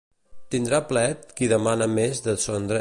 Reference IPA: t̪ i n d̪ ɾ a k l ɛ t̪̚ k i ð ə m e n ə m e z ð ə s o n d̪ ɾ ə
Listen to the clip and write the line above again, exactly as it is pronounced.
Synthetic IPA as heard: t̪ i n d̪ ɾ a p l ɛ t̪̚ k i ð ə m a n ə m e z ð ə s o n d̪ ɾ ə